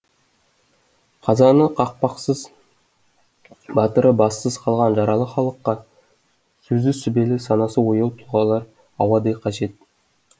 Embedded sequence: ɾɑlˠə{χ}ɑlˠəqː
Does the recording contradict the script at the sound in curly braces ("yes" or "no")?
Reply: no